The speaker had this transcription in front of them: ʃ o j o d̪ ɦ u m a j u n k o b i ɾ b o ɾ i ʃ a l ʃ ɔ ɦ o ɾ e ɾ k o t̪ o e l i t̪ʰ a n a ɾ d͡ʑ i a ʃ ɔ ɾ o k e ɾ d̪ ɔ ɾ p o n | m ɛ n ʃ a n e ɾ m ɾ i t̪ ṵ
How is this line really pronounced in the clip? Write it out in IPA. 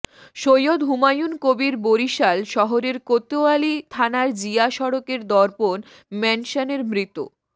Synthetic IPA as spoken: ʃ o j o d̪ ɦ u m a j u n k o b i ɾ b o ɾ i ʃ a l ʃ ɔ ɦ o ɾ e ɾ k o t̪ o a l i t̪ʰ a n a ɾ d͡ʑ i a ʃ ɔ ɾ o k e ɾ d̪ ɔ ɾ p o n | m ɛ n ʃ a n e ɾ m ɾ i t̪ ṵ